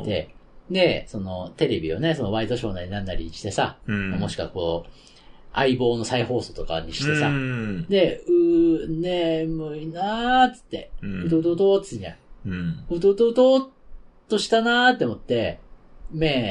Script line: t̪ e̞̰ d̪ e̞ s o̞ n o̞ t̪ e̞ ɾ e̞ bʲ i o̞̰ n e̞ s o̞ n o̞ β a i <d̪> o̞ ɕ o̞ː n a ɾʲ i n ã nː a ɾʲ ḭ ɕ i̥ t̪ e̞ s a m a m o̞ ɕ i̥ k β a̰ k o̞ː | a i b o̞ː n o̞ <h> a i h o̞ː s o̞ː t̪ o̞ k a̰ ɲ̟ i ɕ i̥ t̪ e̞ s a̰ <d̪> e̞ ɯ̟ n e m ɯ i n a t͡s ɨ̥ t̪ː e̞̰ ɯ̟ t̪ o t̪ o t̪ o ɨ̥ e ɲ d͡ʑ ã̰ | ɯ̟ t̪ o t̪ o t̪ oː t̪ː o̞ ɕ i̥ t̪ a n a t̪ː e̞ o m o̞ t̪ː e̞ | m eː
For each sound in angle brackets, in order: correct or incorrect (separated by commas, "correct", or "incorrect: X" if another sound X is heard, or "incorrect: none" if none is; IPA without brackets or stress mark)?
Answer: incorrect: t̪, incorrect: s, correct